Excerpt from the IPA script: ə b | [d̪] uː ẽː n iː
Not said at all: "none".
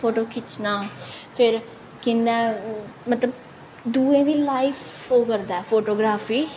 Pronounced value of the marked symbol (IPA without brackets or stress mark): d̪